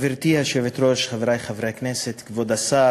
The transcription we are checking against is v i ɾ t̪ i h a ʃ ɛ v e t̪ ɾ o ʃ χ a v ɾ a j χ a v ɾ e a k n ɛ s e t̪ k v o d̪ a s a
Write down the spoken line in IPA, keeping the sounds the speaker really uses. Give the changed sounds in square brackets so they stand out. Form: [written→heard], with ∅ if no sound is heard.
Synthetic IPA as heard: v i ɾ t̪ i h a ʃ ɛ v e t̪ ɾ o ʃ χ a v ɾ a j χ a v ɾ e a k n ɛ s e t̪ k v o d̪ a s a